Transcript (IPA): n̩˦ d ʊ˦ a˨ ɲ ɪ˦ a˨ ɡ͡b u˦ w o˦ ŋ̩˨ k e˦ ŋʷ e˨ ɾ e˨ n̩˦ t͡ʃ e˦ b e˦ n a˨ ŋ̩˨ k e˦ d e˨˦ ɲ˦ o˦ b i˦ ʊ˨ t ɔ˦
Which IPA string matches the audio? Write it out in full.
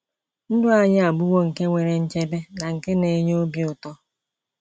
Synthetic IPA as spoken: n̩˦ d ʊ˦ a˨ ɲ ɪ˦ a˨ ɡ͡b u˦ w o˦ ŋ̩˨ k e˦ ŋʷ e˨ ɾ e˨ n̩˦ t͡ʃ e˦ b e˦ n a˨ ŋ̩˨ k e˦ n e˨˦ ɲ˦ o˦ b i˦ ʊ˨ t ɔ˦